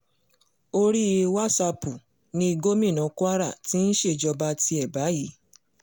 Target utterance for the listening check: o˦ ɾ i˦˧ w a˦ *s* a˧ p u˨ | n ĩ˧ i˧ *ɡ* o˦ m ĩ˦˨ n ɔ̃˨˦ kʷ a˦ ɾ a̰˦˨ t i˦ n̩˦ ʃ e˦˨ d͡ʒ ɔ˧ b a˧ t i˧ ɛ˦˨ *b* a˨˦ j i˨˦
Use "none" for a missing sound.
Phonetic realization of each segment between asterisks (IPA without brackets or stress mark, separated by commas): s, ɡ, b